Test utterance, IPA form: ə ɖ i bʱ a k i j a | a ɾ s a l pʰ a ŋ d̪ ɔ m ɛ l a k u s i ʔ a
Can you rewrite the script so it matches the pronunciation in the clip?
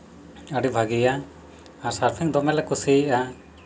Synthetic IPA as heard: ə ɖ i bʱ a ɡ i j a | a ɾ s a ɾ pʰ i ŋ d̪ ɔ m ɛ l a k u s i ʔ a